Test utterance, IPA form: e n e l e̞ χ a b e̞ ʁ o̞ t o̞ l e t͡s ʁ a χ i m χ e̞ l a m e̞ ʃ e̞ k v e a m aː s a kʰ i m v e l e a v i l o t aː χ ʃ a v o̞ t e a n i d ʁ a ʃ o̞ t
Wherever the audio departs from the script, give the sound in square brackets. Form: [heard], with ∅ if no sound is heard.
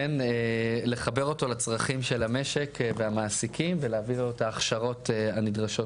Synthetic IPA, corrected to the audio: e n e l e̞ χ a b e̞ ʁ o̞ t o̞ l [a] t͡s ʁ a χ i m [ʃ] e̞ l a m e̞ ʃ e̞ k v e a m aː s [i] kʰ i m v e l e a v i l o t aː χ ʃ a [ʁ] o̞ t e a n i d ʁ a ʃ o̞ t